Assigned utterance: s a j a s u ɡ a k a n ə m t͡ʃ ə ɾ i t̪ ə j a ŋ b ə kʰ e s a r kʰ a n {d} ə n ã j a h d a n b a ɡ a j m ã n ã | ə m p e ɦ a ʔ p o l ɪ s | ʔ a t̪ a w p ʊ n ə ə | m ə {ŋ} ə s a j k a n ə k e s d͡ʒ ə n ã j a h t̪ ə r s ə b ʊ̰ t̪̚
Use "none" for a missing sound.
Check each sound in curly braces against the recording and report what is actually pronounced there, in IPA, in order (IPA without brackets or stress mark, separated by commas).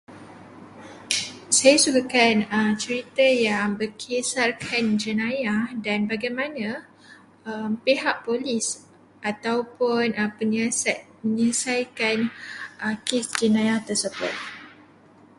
d͡ʒ, ɲ